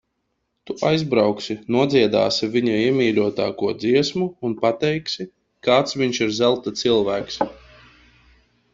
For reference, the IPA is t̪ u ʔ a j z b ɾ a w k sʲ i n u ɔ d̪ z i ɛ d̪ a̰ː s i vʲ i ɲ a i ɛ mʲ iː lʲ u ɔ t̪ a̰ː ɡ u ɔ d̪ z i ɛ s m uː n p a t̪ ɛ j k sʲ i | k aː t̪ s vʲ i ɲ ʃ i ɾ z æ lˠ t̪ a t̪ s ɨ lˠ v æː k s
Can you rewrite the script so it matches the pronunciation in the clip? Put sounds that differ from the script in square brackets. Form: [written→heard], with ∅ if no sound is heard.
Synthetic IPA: t̪ u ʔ a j z b ɾ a w k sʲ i n u ɔ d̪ z i ɛ d̪ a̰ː s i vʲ i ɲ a i ɛ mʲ iː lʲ u ɔ t̪ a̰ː [ɡ→k] u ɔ d̪ z i ɛ s m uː n p a t̪ ɛ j k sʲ i | k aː t̪ s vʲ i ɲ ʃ i ɾ z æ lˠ t̪ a t̪ s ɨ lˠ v æː k s